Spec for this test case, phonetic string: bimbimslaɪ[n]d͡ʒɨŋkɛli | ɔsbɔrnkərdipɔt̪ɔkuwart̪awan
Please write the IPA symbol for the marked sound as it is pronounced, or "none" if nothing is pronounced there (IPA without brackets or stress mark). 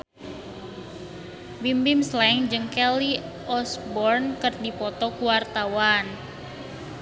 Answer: ŋ